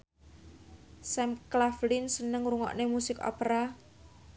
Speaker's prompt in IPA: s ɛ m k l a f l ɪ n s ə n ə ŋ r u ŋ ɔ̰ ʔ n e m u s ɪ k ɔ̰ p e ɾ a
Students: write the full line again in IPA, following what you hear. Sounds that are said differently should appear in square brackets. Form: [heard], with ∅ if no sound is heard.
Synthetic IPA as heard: s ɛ m k l a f l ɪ n s ə n ə ŋ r u ŋ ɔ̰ ʔ n e m u s ɪ k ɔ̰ p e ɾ a